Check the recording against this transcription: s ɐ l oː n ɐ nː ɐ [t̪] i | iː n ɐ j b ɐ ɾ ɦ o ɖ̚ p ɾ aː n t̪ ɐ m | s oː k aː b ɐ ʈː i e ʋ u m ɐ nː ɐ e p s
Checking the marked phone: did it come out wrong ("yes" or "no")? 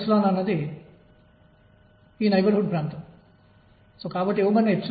yes